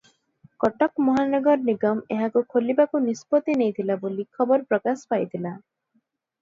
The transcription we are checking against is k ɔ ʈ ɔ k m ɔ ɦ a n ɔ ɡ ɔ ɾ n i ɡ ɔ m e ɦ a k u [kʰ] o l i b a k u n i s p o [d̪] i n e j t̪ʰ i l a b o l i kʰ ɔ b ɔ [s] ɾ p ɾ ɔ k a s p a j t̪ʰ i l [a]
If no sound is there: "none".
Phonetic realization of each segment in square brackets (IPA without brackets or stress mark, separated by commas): kʰ, t̪, none, a